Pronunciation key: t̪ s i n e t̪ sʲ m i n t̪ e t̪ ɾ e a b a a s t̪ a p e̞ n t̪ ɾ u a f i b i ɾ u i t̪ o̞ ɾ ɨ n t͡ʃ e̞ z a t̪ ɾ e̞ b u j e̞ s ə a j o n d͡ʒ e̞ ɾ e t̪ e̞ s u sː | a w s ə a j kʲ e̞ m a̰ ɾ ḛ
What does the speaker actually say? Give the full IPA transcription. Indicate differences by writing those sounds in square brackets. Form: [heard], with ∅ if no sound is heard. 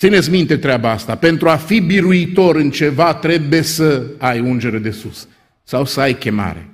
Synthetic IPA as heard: t̪ s i n e t̪ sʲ m i n t̪ e t̪ ɾ e a b a a s t̪ a p e̞ n t̪ ɾ u a f i b i ɾ u i t̪ o̞ ɾ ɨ n t͡ʃ e̞ [v] a t̪ ɾ e̞ b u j e̞ s ə a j [u] n d͡ʒ e̞ ɾ e [d̪] e̞ s u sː | a w s ə a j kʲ e̞ m a̰ ɾ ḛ